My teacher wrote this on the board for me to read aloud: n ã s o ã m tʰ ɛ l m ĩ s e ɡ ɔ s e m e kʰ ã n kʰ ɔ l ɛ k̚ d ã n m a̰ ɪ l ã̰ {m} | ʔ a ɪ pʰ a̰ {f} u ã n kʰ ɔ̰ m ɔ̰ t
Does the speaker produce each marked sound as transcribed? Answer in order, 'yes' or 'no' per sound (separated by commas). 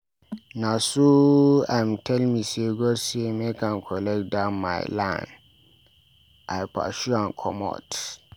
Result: no, no